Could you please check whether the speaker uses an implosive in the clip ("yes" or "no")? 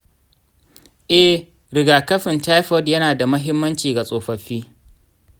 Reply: no